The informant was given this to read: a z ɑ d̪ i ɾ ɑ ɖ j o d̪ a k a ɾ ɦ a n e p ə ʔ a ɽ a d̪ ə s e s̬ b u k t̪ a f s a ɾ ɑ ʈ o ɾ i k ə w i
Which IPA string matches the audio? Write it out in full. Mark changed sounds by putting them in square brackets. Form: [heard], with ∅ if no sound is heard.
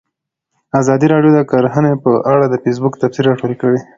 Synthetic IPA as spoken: a z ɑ d̪ i ɾ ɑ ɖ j o d̪ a k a ɾ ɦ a n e p ə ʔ a ɽ a d̪ ə [f] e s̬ b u k t̪ a f s [i] ɾ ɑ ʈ o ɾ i k ə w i